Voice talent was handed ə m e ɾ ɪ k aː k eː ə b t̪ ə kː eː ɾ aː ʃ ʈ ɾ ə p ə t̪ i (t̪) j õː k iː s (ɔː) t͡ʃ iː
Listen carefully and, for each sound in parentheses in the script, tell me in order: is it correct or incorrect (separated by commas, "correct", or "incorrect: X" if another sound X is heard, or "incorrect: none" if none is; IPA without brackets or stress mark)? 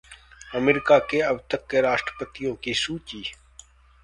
incorrect: none, incorrect: uː